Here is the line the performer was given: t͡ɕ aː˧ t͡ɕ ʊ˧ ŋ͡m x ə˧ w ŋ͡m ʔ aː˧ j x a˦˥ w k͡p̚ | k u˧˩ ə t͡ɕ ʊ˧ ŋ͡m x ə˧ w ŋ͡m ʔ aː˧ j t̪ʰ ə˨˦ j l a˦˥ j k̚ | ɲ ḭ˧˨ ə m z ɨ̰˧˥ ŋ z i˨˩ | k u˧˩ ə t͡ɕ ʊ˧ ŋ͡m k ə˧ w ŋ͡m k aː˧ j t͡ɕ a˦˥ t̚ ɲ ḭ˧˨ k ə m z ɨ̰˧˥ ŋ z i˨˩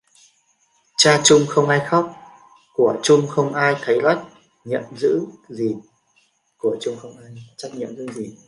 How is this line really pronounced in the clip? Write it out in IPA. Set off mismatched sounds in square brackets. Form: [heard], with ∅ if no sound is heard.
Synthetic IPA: t͡ɕ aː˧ t͡ɕ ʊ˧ ŋ͡m x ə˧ w ŋ͡m ʔ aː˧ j x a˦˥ w k͡p̚ | k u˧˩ ə t͡ɕ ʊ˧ ŋ͡m x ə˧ w ŋ͡m ʔ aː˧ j t̪ʰ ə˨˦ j l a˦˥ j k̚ | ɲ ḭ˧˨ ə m z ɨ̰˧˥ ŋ z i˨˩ | k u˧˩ ə t͡ɕ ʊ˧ ŋ͡m [x] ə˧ w ŋ͡m [ʔ] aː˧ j t͡ɕ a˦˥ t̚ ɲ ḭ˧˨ [∅] ə m z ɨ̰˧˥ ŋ z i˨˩